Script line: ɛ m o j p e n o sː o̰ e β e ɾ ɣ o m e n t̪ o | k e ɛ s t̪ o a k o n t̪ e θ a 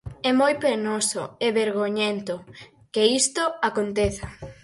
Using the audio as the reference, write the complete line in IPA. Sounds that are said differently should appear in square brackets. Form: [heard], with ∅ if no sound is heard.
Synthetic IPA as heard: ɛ m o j p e n o [s] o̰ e β e ɾ ɣ o [ɲ] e n t̪ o | k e [i] s t̪ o a k o n t̪ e θ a

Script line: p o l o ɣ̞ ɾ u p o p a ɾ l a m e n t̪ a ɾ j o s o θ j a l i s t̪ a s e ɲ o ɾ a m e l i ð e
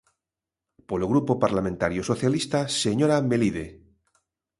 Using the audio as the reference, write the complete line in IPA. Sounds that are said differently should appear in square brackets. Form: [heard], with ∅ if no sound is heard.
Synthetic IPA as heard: p o l o ɣ̞ ɾ u p o p a ɾ l a m [ẽ] n t̪ a ɾ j o s o θ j a l i s t̪ a s e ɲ o ɾ a m e l i ð e

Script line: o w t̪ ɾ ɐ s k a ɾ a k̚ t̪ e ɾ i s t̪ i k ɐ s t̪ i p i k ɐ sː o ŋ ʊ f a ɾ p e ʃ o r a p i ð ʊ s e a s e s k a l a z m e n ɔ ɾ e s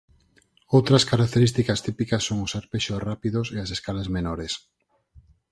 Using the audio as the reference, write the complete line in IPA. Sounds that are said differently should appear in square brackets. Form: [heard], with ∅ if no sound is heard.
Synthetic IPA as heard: o w t̪ ɾ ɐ s k a ɾ a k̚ t̪ e ɾ i s t̪ i k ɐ s t̪ i p i k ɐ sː o ŋ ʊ [s] a ɾ p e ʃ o r a p i ð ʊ s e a s e s k a l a z m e n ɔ ɾ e s

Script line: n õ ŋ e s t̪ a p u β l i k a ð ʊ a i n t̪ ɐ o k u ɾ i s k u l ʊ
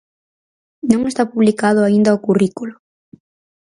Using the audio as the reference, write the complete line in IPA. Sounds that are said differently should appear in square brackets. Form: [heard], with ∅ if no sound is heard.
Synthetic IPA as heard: n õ ŋ e s t̪ a p u β l i k a ð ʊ a i n [d̪] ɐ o k u [r] i [∅] k u l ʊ

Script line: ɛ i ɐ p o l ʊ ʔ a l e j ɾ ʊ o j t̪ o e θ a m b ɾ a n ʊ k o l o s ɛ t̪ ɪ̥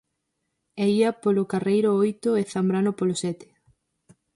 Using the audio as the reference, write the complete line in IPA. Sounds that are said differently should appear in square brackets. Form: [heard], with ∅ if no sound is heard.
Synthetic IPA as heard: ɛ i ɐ p o l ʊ [k] a [r] e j ɾ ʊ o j t̪ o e θ a m b ɾ a n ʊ [p] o l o s ɛ t̪ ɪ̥

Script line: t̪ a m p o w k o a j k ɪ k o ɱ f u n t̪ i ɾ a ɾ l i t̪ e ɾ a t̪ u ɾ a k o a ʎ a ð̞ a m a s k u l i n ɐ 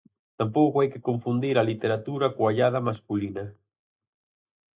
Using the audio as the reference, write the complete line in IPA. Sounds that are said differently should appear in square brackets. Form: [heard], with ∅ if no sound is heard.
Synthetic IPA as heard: t̪ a m p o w k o a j k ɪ k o ɱ f u n [d̪] i ɾ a [∅] l i t̪ e ɾ a t̪ u ɾ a k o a ʎ a ð̞ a m a s k u l i n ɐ

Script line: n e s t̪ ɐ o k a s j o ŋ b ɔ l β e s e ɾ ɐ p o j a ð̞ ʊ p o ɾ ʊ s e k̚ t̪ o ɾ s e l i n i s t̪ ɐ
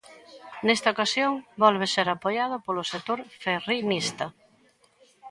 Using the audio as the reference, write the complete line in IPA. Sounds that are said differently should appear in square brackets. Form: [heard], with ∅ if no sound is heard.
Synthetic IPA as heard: n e s t̪ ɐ o k a s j o ŋ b ɔ l β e s e ɾ [a] p o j a ð̞ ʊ p o [l] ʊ s e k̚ t̪ o ɾ [f] e [r] i n i s t̪ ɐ

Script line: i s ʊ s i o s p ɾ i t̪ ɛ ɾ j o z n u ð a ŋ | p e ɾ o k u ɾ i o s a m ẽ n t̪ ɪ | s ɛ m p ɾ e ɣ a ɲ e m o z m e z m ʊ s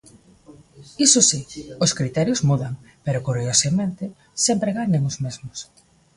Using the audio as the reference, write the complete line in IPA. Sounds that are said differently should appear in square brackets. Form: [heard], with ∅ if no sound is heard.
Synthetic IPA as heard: i s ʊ s i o s [k] ɾ i t̪ ɛ ɾ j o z [m] u ð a ŋ | p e ɾ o k u ɾ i o s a m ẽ n t̪ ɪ | s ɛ m p ɾ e ɣ a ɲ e [ŋ] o z m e z m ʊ s

